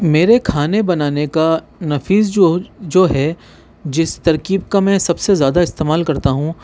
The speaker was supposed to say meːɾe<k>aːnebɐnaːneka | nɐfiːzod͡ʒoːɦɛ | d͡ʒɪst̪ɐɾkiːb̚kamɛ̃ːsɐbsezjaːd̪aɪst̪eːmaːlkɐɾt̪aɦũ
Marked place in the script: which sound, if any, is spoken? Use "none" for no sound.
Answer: kʰ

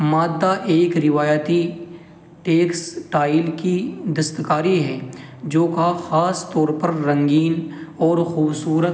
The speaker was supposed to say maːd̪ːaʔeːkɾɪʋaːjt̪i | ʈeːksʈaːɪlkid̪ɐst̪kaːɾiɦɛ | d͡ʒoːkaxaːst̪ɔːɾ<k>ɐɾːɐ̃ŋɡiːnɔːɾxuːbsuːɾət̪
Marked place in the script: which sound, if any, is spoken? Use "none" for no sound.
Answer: p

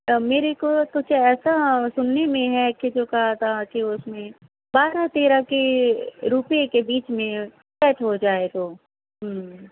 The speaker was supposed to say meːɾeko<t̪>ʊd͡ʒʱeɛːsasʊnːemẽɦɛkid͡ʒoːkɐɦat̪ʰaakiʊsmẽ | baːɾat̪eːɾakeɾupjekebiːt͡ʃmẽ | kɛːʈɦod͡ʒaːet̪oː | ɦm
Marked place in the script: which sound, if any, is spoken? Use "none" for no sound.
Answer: t̪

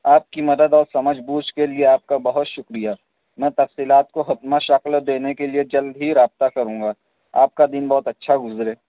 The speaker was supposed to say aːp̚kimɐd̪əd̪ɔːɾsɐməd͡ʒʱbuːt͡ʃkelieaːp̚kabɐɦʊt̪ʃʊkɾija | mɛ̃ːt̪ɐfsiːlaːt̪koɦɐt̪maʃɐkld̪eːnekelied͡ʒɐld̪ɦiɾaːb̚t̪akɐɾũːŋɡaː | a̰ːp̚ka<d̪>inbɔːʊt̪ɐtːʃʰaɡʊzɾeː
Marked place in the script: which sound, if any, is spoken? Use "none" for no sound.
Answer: d̪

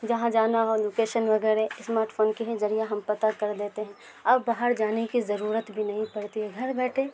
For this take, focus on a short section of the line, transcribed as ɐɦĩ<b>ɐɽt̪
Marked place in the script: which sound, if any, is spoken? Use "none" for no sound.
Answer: p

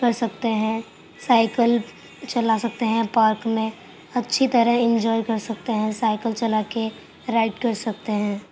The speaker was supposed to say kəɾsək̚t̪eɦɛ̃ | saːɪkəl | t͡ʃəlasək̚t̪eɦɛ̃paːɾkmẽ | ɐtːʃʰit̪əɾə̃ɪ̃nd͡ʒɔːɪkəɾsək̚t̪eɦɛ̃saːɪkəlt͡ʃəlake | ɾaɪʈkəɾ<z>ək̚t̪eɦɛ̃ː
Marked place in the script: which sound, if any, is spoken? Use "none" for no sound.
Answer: s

